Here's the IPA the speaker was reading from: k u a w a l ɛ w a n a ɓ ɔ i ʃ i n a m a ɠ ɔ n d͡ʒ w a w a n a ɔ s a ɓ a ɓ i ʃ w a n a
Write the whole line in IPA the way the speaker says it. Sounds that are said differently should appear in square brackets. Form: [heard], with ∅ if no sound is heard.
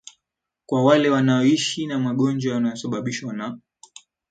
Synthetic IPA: k [w] a w a l ɛ w a n a [∅] ɔ i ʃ i n a m a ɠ ɔ n d͡ʒ w a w a n a ɔ s a ɓ a ɓ i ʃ w a n a